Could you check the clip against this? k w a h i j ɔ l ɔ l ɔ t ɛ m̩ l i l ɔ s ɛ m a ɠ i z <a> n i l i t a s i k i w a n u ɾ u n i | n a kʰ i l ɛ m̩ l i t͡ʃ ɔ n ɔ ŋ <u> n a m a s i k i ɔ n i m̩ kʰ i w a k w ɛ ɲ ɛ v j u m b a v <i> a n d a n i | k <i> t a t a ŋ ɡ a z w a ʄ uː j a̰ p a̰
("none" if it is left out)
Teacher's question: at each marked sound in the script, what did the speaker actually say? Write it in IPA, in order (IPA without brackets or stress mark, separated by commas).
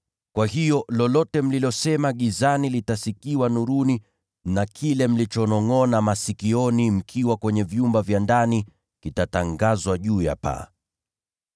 a, ɔ, j, i